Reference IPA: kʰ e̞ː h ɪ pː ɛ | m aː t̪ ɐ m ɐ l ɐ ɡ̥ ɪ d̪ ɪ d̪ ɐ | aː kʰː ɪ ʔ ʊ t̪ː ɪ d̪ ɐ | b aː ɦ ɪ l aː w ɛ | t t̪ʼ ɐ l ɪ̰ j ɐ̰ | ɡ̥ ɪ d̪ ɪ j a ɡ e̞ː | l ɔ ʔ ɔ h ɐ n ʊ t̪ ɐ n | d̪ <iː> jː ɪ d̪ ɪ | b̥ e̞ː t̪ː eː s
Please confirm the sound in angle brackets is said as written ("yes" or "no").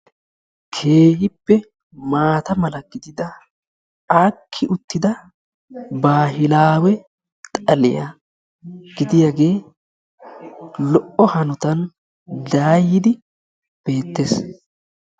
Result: no